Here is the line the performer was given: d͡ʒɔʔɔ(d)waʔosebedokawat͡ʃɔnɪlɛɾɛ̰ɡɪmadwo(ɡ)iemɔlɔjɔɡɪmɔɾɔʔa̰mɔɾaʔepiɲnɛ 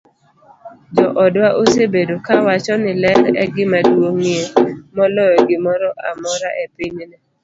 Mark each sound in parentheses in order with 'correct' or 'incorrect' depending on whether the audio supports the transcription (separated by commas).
correct, incorrect